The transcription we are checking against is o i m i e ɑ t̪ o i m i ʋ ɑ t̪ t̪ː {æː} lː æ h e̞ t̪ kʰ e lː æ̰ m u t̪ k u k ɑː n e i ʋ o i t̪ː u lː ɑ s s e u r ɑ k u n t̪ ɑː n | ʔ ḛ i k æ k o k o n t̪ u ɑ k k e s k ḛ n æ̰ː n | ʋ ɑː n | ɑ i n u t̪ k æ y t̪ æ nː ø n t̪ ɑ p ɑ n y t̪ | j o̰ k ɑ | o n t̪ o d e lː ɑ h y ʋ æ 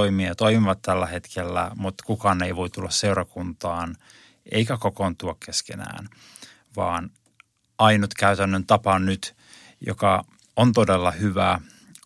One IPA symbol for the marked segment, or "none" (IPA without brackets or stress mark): æ